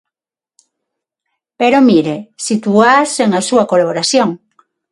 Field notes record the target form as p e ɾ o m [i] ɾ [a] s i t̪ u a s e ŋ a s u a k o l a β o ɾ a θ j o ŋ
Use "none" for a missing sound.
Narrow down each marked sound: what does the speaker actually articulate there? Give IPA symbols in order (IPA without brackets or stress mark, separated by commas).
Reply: i, e